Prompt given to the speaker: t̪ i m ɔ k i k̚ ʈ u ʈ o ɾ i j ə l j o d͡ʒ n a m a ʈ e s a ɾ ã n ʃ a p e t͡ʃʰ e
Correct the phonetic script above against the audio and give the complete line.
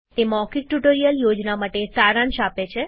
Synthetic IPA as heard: t̪ e m ɔ k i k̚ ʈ u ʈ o ɾ i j ə l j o d͡ʒ n a m a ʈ e s a ɾ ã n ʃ a p e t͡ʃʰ e

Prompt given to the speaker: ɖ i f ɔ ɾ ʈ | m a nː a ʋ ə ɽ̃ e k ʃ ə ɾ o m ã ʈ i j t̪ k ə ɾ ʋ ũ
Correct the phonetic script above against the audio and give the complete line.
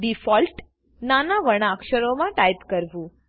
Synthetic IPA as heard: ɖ i f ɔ l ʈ | n a n a ʋ ə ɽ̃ a k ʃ ə ɾ o m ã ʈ a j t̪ k ə ɾ ʋ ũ

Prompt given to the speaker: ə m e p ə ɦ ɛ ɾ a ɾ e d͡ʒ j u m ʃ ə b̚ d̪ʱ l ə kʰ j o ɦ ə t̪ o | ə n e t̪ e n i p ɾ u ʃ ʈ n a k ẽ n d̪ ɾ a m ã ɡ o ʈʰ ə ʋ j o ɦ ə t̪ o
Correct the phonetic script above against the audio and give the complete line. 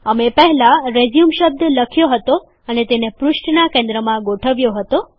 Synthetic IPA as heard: ə m e p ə ɦ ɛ l a ɾ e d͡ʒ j u m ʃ ə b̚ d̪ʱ l ə kʰ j o ɦ ə t̪ o | ə n e t̪ e n e p ɾ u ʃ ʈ n a k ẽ n d̪ ɾ ə m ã ɡ o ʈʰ ə ʋ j o ɦ ə t̪ o

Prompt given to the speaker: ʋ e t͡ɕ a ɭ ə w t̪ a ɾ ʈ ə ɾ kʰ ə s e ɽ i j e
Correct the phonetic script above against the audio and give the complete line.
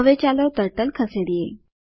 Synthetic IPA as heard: ʋ e t͡ɕ a l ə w t̪ ə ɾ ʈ ə l kʰ ə s e ɽ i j e

